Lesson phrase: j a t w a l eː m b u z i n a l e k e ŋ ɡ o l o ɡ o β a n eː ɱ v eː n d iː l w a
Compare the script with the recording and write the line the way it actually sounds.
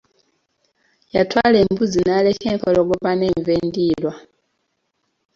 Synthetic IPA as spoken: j a t w a l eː m b u z i n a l e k e ŋ k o l o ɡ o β a n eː ɱ v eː n d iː l w a